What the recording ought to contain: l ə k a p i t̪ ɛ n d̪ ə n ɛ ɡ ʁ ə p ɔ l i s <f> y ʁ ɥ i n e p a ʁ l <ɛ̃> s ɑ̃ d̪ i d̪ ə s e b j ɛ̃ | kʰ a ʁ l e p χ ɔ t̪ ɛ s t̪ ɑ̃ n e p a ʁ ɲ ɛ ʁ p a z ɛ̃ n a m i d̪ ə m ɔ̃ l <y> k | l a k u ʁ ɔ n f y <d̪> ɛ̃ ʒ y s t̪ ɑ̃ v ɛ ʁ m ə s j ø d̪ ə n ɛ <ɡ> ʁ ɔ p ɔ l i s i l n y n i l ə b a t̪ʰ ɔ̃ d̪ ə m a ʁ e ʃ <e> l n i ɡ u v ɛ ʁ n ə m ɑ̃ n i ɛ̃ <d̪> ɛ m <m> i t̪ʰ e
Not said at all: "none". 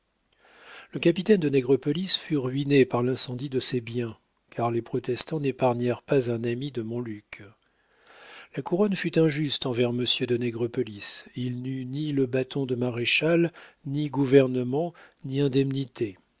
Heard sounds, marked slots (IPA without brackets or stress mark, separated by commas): f, ɛ̃, y, t̪, ɡ, a, d̪, n